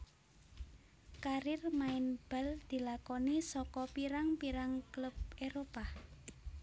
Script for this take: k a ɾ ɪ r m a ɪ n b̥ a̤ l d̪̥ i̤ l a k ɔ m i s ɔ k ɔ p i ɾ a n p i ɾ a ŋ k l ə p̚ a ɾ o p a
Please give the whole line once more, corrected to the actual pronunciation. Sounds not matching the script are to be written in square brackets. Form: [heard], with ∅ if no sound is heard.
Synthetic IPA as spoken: k a ɾ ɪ r m a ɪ n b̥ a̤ l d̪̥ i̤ l a k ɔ [n] i s ɔ k ɔ p i ɾ a [ŋ] p i ɾ a ŋ k l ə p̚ [e] ɾ o p a